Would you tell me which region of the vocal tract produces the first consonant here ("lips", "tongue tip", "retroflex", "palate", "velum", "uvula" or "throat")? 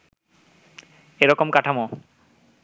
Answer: tongue tip